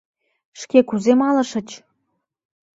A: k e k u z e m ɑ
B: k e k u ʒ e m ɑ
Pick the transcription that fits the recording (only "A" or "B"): A